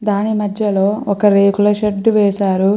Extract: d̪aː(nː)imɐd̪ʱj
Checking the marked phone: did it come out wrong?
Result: yes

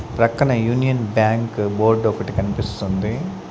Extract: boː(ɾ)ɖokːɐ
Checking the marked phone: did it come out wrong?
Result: no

